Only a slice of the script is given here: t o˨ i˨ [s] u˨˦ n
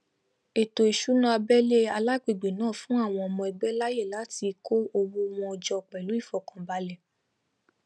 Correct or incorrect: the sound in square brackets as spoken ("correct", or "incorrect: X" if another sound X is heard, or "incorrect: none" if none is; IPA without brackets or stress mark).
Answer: incorrect: ʃ